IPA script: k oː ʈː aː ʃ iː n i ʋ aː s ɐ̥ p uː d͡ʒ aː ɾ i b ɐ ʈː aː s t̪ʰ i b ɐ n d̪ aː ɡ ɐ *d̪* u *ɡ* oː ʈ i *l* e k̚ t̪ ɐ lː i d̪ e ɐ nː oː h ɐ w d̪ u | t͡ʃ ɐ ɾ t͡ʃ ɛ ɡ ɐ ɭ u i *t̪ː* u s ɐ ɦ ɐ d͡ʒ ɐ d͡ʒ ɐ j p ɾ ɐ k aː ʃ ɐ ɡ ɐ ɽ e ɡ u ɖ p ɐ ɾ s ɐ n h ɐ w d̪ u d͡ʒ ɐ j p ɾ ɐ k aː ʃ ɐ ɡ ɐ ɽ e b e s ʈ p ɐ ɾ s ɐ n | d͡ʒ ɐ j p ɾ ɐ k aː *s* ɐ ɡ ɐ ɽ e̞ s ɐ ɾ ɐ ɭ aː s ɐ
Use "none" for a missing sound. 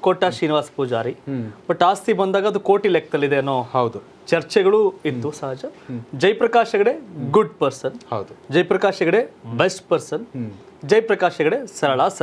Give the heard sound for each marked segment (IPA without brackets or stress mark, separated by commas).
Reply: d̪, k, l, t̪ː, ʃ